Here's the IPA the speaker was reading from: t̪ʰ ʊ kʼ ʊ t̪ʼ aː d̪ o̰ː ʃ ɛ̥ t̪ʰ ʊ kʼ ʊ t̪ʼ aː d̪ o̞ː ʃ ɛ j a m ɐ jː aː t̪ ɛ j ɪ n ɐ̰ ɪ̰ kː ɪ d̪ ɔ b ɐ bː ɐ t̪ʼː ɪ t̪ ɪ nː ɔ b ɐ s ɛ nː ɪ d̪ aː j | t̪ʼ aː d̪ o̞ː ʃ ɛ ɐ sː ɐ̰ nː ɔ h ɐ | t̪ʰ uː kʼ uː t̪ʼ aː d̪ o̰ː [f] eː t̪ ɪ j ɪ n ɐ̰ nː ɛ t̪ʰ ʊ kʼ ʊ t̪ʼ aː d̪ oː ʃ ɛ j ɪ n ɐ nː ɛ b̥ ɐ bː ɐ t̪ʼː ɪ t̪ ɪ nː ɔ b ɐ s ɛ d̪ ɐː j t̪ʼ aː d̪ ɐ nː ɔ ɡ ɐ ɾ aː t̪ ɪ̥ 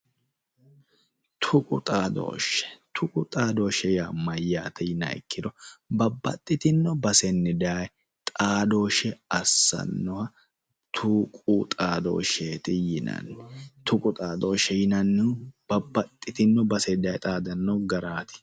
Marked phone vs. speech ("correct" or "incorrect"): incorrect